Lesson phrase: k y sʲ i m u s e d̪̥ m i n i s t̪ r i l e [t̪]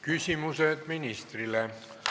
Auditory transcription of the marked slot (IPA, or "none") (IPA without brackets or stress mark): none